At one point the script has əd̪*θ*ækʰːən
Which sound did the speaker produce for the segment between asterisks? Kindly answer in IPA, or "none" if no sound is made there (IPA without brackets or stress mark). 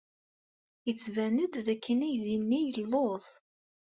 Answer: ð